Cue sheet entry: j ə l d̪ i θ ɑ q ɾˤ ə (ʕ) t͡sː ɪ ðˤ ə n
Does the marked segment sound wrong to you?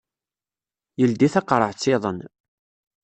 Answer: no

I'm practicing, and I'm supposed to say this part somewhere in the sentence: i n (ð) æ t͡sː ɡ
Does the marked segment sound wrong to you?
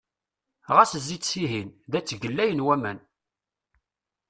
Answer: no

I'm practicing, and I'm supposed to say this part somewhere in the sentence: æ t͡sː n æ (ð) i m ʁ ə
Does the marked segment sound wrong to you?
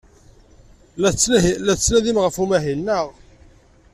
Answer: no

